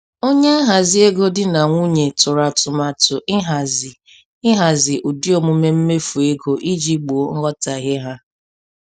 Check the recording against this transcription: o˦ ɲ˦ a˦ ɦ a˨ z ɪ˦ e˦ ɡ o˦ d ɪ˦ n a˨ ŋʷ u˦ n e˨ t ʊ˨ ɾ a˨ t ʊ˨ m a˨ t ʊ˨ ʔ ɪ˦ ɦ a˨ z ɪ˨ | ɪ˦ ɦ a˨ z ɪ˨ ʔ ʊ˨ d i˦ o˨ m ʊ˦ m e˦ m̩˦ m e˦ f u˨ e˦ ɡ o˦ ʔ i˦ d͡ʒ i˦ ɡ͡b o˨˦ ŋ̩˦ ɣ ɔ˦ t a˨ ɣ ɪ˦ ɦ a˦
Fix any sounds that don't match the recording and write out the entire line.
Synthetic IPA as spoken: o˦ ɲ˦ a˦ ɦ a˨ z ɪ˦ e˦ ɡ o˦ d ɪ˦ n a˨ ŋʷ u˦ ɲ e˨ t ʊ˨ ɾ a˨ t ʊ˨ m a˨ t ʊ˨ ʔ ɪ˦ ɦ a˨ z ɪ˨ | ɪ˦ ɦ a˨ z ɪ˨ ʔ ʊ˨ d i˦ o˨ m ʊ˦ m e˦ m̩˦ m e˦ f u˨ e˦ ɡ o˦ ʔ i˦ d͡ʒ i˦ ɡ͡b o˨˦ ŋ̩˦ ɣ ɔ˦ t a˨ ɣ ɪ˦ ɦ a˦